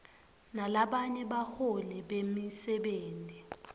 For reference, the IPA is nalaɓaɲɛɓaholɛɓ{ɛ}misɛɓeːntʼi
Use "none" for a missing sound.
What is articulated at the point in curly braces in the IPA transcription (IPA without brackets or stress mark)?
e